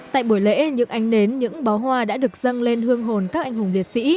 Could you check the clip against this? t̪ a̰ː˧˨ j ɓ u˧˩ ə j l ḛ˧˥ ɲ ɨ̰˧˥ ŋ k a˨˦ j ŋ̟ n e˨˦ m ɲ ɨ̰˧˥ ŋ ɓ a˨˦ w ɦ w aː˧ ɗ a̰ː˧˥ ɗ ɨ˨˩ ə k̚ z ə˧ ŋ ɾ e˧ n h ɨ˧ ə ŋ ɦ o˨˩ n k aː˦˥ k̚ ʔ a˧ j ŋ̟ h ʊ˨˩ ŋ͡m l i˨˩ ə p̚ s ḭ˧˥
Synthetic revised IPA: t̪ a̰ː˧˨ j ɓ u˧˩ ə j l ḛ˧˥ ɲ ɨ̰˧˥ ŋ ʔ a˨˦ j ŋ̟ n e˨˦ n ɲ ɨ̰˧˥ ŋ ɓ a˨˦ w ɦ w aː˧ ɗ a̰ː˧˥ ɗ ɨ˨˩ ə k̚ z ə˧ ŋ l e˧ n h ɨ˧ ə ŋ ɦ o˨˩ n k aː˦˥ k̚ ʔ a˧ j ŋ̟ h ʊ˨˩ ŋ͡m l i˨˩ ə t̚ s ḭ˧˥